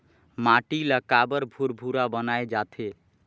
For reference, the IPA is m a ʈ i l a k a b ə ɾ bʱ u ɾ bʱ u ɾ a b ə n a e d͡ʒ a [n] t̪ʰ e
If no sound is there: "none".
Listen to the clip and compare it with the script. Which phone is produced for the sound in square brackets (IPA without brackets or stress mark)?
none